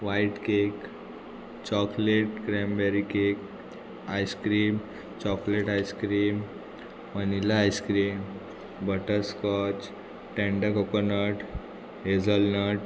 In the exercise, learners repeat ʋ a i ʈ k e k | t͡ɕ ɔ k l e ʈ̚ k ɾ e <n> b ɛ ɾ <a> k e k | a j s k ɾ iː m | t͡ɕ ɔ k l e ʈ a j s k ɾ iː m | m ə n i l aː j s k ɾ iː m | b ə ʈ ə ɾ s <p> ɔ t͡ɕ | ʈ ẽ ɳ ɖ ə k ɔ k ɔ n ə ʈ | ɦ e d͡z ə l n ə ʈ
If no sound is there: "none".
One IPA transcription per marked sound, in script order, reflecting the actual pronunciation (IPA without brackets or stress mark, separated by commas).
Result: m, i, k